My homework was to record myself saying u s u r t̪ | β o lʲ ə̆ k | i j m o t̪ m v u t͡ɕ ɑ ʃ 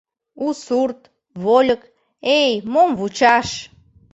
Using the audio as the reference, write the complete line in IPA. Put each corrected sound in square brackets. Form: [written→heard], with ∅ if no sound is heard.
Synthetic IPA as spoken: u s u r t̪ | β o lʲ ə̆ k | [i→e] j m o [t̪→∅] m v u t͡ɕ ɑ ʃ